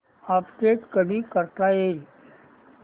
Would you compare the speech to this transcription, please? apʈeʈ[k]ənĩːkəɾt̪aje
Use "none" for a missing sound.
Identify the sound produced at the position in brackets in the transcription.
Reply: k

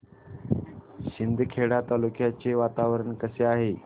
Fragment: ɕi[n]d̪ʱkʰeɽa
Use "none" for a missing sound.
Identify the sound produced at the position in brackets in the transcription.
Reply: n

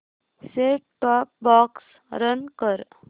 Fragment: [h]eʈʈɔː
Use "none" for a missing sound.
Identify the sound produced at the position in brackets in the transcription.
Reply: s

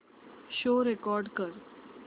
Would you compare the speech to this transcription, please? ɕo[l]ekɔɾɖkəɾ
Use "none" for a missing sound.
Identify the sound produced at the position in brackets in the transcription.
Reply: ɾ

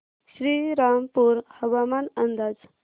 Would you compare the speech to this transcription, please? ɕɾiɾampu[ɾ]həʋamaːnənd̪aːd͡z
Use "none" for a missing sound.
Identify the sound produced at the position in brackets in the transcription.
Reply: ɾ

